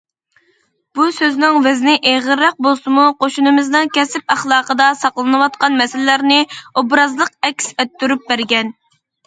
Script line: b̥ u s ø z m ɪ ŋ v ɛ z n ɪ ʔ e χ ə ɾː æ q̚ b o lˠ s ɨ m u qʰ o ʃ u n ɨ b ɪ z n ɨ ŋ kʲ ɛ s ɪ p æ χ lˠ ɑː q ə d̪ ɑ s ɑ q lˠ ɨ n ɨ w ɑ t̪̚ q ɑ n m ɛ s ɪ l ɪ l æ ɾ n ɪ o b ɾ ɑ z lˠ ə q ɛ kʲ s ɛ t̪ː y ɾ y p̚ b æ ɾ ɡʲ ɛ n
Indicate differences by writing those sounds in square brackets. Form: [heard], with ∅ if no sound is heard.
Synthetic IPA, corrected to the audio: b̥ u s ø z [n] ɪ ŋ v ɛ z n ɪ ʔ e [ʁ] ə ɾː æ q̚ b o lˠ s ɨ m u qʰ o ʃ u n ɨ [m] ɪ z n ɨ ŋ kʲ ɛ s ɪ p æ χ lˠ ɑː q ə d̪ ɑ s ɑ q lˠ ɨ n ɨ w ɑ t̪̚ q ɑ n m ɛ s ɪ l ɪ l æ ɾ n ɪ o b ɾ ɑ z lˠ ə q ɛ kʲ s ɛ t̪ː y ɾ y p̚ b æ ɾ ɡʲ ɛ n

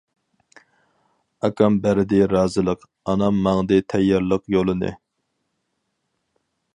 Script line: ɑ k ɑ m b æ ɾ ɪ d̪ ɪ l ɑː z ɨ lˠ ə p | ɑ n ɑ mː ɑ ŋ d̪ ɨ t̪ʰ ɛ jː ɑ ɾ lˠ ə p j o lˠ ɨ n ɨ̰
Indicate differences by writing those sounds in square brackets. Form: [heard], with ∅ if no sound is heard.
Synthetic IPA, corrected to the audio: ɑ k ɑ m b æ ɾ ɪ d̪ ɪ [ɾ] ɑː z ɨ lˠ ə [q] | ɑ n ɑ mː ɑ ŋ d̪ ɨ t̪ʰ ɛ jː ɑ ɾ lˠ ə [q] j o lˠ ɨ n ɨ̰

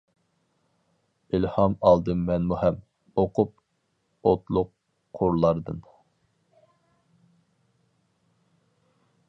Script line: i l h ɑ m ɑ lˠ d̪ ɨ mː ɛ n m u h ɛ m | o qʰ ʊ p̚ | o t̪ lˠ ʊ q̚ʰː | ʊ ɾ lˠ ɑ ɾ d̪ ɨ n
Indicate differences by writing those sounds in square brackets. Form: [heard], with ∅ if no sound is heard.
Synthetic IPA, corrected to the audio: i l h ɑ m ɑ lˠ d̪ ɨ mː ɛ n m u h ɛ m | o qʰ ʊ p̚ | o t̪ lˠ ʊ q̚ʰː | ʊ ɾ lˠ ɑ ɾ d̪ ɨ n

